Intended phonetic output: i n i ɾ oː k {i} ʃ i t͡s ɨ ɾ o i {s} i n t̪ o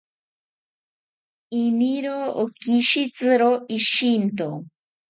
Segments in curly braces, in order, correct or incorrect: correct, incorrect: ʃ

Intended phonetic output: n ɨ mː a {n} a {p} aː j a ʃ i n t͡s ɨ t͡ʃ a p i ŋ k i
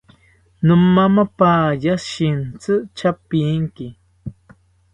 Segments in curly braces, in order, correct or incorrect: incorrect: m, correct

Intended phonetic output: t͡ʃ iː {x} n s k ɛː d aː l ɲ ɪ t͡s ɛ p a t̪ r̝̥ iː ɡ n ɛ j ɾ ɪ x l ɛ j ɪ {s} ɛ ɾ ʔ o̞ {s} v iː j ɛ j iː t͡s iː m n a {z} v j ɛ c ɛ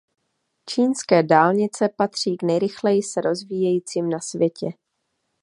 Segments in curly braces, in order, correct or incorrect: incorrect: none, correct, incorrect: z, incorrect: s

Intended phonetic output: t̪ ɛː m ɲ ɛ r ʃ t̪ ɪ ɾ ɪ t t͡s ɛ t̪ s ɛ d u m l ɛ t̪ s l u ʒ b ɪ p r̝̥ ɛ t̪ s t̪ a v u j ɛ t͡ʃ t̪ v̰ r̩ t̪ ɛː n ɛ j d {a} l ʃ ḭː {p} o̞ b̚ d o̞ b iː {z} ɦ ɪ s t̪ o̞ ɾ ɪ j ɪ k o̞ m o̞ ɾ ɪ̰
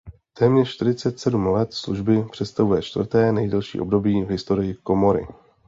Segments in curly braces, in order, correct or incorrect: incorrect: ɛ, incorrect: ʔ, incorrect: v

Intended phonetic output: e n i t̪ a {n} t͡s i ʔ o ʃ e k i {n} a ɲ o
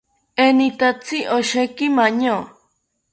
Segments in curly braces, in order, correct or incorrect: incorrect: none, incorrect: m

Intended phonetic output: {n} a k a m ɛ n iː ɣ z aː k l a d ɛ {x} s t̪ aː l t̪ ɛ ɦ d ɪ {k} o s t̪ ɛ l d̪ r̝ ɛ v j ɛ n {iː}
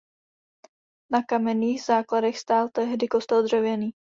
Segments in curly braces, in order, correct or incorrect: correct, correct, correct, correct

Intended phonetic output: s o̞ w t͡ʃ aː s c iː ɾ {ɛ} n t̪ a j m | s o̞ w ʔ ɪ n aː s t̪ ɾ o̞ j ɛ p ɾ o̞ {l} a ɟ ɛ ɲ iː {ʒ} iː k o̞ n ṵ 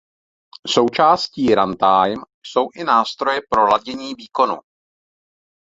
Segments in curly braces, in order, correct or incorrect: incorrect: a, correct, incorrect: v

